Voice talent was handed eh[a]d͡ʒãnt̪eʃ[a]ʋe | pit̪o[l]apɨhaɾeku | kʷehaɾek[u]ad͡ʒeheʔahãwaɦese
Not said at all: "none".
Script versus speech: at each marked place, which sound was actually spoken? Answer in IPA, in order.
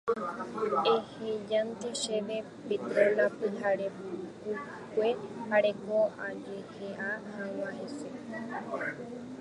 e, e, l, o

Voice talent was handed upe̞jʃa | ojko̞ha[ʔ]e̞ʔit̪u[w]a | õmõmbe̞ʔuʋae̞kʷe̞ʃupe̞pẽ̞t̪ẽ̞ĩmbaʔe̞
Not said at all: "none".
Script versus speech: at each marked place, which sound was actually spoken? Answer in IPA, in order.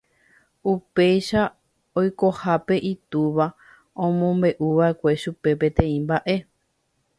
p, ʋ

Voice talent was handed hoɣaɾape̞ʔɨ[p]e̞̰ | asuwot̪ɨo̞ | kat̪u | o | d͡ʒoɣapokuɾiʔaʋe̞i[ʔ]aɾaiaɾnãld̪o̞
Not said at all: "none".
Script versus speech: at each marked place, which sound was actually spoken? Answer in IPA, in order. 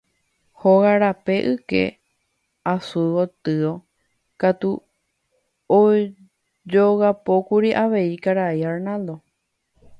k, k

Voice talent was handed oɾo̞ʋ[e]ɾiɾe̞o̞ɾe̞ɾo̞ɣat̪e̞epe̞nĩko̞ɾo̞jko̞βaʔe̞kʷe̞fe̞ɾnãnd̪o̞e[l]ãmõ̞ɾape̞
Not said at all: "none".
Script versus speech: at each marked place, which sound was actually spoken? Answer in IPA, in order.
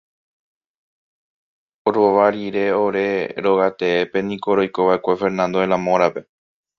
a, l

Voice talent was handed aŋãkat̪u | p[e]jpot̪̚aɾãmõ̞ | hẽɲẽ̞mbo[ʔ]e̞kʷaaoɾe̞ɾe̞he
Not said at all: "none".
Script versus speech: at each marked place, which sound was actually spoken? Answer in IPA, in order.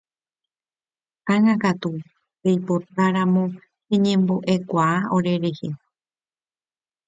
e, ʔ

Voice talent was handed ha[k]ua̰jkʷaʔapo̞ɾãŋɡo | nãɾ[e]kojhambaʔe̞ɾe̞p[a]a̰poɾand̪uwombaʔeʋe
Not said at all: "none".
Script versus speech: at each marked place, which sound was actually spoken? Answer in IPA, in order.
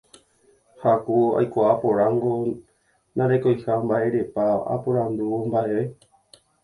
k, e, a

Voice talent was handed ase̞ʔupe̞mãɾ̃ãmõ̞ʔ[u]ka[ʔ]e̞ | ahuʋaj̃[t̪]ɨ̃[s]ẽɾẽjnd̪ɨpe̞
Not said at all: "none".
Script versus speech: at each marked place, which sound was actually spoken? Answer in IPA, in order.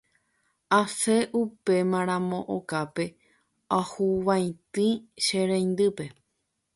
o, p, t̪, ʃ

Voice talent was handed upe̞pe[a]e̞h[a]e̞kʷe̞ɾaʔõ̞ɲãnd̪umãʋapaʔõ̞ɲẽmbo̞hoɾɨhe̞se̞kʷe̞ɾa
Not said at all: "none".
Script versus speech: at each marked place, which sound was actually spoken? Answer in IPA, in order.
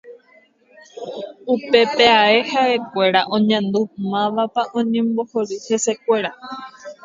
a, a

